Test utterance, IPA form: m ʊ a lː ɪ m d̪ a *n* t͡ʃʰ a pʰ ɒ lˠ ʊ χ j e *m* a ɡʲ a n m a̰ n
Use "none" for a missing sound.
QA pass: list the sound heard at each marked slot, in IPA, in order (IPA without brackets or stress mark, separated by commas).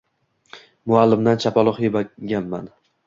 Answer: n, b